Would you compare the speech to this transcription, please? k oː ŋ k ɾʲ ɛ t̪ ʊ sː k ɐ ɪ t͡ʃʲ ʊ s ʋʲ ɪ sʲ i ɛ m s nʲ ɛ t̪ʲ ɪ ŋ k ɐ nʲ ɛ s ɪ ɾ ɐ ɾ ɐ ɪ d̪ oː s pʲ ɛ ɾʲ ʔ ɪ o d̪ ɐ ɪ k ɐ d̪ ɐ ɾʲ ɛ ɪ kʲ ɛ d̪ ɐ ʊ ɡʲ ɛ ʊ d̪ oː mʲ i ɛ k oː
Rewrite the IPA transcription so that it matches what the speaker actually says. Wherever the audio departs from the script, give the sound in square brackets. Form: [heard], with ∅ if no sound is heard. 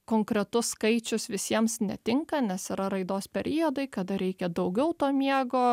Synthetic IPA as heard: k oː ŋ k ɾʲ ɛ t̪ ʊ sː k ɐ ɪ t͡ʃʲ ʊ s ʋʲ ɪ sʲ i ɛ m s nʲ ɛ t̪ʲ ɪ ŋ k ɐ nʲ ɛ s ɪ ɾ ɐ ɾ ɐ ɪ d̪ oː s pʲ ɛ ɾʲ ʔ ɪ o d̪ ɐ ɪ k ɐ d̪ ɐ ɾʲ ɛ ɪ kʲ ɛ d̪ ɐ ʊ ɡʲ ɛ ʊ [t̪] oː mʲ i ɛ [ɡ] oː